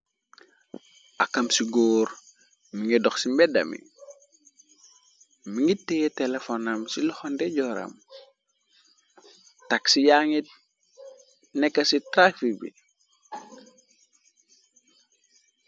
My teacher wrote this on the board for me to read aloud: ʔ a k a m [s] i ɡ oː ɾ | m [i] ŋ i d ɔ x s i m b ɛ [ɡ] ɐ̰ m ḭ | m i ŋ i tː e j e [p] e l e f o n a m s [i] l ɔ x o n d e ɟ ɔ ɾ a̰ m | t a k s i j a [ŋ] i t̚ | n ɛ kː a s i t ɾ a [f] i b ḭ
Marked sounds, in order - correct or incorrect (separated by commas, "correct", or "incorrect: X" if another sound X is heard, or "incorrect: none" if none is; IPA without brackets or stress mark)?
correct, correct, incorrect: d, incorrect: t, correct, correct, correct